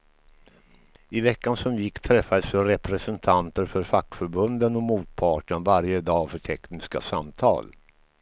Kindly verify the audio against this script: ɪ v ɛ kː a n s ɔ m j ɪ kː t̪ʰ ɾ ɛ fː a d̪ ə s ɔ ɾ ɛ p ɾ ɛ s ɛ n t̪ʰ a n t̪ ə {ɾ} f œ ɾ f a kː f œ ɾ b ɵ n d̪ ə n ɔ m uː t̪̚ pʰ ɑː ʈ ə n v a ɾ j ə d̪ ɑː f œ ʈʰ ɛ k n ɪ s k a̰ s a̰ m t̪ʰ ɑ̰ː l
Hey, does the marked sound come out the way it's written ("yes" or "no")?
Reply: yes